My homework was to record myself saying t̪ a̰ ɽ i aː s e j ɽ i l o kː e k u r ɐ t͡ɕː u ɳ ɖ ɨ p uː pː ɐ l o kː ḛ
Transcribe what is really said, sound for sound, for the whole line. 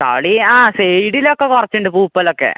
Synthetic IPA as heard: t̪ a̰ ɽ i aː s e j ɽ i l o kː e k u r ɐ t͡ɕː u ɳ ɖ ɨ p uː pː ɐ l o kː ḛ